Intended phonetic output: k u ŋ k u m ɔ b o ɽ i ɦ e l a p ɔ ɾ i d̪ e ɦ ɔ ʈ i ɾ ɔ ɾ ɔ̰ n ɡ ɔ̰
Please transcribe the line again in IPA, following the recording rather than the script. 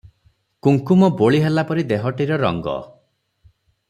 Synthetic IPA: k u ŋ k u m ɔ b o ɭ i ɦ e l a p ɔ ɾ i d̪ e ɦ ɔ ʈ i ɾ ɔ ɾ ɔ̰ ŋ ɡ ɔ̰